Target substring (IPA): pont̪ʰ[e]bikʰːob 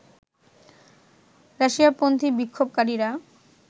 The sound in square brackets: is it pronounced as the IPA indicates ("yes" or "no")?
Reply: no